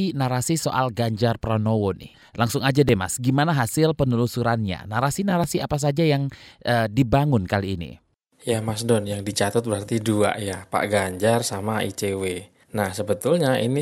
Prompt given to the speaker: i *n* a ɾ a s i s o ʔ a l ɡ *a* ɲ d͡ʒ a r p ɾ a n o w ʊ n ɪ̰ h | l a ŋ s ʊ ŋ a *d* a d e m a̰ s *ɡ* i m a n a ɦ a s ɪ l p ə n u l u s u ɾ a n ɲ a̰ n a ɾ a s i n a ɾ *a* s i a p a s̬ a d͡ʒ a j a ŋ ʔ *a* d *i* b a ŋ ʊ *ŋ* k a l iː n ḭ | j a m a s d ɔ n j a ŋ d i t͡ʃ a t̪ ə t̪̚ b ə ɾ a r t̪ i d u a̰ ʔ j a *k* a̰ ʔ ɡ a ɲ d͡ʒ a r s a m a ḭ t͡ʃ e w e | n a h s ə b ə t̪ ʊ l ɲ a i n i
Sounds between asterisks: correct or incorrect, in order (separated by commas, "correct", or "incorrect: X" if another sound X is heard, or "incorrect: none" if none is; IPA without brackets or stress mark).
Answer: correct, correct, incorrect: d͡ʒ, correct, correct, incorrect: ə, correct, incorrect: n, incorrect: p